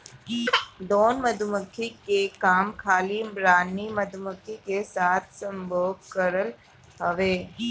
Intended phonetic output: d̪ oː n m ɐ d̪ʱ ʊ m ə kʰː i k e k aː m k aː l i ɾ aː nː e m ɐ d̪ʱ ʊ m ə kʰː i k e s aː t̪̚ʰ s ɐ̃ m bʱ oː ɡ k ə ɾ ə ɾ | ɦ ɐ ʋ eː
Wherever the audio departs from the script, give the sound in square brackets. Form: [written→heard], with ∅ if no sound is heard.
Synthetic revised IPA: d̪ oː n m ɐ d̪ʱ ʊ m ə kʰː i k e k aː m [k→kʰ] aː l i ɾ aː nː [e→i] m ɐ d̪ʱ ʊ m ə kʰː i k e s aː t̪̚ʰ s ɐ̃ m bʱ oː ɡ k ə ɾ ə [ɾ→l] | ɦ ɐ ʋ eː